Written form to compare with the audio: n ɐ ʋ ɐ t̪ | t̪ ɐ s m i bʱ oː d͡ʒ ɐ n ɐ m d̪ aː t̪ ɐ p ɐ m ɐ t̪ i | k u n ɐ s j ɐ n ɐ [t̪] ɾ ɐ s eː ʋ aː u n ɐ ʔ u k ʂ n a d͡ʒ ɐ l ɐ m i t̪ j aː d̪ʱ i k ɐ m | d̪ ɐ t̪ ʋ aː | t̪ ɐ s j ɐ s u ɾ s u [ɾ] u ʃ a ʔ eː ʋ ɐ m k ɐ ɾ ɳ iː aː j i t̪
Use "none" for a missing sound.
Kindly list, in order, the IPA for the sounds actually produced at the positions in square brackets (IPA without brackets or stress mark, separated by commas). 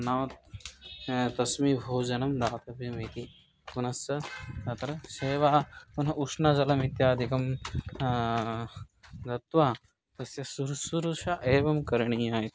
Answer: t̪, ɾ